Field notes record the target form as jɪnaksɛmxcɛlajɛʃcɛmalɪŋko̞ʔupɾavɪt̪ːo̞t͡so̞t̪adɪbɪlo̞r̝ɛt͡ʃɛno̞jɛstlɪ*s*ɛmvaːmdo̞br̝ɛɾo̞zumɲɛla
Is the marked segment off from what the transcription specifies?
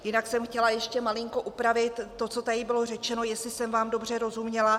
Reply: no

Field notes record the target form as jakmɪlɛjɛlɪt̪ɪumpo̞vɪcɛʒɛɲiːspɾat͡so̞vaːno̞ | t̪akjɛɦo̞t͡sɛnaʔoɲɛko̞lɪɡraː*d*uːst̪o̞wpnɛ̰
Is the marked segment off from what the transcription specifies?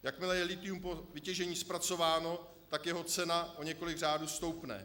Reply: no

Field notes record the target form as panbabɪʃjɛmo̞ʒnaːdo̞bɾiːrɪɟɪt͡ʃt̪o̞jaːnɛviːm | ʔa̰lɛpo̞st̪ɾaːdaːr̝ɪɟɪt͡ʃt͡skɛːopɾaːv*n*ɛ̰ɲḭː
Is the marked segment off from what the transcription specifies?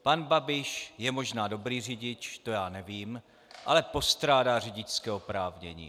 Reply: yes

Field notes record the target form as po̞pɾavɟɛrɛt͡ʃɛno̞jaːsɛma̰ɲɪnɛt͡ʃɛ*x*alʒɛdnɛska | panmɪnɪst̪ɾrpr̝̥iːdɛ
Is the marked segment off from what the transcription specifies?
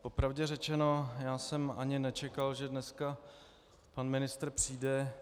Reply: yes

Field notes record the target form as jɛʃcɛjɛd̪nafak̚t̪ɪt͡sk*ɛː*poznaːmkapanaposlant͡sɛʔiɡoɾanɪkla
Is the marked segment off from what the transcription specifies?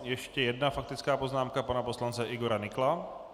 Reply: yes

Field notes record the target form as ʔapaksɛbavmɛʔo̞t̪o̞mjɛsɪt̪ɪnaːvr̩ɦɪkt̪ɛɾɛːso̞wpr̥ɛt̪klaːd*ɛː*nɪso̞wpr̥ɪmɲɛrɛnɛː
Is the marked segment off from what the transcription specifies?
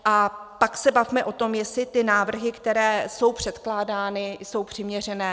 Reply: yes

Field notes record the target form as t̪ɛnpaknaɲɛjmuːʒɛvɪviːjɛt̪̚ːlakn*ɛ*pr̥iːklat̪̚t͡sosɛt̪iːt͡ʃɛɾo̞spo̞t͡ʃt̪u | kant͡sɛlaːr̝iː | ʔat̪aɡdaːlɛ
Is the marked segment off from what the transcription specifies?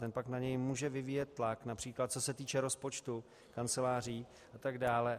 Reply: yes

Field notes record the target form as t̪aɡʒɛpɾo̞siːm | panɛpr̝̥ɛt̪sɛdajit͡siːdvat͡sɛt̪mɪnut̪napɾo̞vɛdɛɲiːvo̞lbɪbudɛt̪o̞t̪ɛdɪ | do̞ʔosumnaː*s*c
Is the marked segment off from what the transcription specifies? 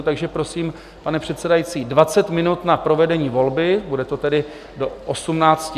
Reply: yes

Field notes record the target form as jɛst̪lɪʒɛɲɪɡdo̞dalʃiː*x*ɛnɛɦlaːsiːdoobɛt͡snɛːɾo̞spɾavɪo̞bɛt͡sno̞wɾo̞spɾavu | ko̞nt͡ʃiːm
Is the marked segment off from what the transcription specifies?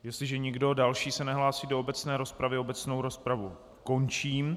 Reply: yes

